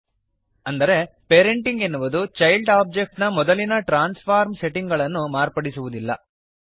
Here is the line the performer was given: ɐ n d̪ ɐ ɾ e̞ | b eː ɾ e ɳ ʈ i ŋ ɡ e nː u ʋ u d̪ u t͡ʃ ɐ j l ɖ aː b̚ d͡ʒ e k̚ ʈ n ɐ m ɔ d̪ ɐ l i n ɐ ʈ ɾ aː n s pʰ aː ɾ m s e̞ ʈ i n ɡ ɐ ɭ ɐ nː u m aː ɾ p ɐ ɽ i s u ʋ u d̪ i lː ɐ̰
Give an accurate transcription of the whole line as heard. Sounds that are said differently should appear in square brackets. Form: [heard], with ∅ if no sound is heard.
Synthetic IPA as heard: ɐ n d̪ ɐ ɾ e̞ | [p] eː ɾ e ɳ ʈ i ŋ ɡ e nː u ʋ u d̪ u t͡ʃ ɐ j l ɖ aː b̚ d͡ʒ e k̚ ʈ n ɐ m ɔ d̪ ɐ l i n ɐ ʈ ɾ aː n s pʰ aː ɾ m s e̞ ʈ i [ŋ] ɡ ɐ ɭ ɐ nː u m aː ɾ p ɐ ɽ i s u ʋ u d̪ i lː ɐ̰